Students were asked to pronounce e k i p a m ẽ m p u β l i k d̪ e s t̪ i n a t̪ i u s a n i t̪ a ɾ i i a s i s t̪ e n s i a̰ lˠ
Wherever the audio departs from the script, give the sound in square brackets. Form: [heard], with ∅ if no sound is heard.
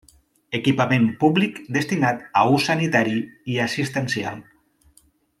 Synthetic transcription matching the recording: e k i p a m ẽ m p u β l i k d̪ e s t̪ i n a t̪ [a] u s a n i t̪ a ɾ i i a s i s t̪ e n s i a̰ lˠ